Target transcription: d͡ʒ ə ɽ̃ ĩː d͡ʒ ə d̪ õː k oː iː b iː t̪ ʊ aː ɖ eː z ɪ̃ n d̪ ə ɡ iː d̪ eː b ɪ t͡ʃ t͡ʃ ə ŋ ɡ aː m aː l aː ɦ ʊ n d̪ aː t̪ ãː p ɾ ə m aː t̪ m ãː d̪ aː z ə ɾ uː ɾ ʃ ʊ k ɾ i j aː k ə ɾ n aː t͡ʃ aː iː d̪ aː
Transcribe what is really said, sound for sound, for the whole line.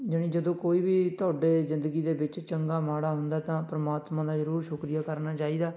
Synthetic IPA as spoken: d͡ʒ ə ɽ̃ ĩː d͡ʒ ə d̪ õː k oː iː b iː t̪ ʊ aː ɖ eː z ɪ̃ n d̪ ə ɡ iː d̪ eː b ɪ t͡ʃ t͡ʃ ə ŋ ɡ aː m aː ɽ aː ɦ ʊ n d̪ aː t̪ ãː p ɾ ə m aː t̪ m ãː d̪ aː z ə ɾ uː ɾ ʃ ʊ k ɾ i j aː k ə ɾ n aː t͡ʃ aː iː d̪ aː